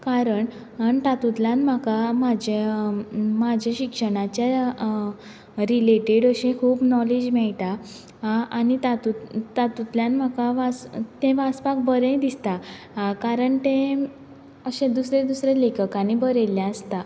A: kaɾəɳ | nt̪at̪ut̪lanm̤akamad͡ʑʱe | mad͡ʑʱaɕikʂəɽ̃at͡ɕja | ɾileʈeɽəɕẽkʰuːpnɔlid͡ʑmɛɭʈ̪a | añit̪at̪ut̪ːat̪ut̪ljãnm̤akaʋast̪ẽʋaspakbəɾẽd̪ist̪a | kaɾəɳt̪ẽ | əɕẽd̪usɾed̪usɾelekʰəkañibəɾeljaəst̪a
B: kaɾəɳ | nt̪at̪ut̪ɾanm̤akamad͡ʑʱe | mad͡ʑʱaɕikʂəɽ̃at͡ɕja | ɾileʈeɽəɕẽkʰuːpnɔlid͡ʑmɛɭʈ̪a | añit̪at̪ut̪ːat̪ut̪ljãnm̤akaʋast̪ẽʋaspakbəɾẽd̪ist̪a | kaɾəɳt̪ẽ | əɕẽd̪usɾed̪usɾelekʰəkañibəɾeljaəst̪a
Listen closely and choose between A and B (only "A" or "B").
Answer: A